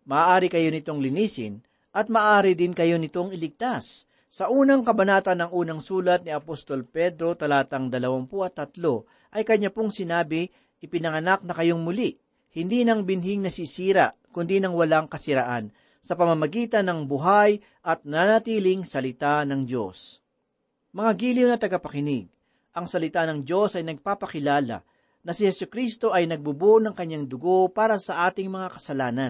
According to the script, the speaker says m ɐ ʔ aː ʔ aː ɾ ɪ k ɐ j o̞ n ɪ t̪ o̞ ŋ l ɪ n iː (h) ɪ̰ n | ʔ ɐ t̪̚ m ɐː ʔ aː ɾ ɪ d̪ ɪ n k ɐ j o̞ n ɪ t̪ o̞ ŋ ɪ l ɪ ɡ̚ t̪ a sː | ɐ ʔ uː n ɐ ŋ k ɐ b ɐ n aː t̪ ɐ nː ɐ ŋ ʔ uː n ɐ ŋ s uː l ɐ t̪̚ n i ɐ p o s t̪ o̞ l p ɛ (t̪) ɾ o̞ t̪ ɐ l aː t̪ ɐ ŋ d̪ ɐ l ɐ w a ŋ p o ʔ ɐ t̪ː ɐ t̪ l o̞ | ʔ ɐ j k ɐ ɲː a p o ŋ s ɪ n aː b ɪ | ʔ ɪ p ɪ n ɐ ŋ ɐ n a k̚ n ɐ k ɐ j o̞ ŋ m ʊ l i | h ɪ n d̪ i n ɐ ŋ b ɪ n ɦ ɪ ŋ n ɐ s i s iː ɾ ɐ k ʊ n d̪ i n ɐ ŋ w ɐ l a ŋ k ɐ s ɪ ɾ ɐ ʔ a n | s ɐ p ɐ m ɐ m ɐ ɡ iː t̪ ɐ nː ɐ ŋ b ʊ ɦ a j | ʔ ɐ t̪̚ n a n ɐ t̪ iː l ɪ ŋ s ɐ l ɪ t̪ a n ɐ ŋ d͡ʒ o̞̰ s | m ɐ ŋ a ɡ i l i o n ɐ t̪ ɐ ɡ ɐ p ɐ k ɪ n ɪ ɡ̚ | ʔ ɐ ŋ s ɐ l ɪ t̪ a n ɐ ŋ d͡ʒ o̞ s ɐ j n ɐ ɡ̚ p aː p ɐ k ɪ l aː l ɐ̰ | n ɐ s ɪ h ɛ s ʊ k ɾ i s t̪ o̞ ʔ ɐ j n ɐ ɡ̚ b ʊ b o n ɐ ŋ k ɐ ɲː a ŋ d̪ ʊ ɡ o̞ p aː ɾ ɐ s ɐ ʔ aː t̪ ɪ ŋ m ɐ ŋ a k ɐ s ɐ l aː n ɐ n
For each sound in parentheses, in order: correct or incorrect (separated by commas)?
incorrect, incorrect